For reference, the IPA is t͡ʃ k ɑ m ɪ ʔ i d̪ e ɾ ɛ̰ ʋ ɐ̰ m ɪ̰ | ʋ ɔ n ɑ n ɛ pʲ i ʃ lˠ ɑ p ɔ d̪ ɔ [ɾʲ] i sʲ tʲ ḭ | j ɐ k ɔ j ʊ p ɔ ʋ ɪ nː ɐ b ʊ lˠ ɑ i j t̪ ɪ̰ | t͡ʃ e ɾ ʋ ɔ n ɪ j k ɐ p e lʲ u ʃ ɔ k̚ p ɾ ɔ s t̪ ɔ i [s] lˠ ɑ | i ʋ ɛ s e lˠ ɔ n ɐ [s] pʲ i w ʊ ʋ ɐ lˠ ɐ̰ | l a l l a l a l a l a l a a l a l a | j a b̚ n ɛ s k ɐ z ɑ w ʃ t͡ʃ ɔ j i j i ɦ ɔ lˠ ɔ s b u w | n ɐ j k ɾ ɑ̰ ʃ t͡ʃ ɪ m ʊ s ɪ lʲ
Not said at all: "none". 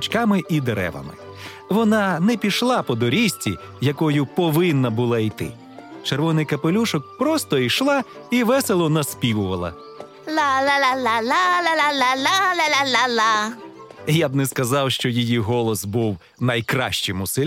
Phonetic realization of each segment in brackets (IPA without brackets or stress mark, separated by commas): ɾʲ, ʃ, s